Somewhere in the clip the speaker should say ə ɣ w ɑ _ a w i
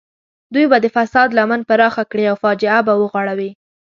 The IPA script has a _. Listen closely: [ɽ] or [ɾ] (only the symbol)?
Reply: ɽ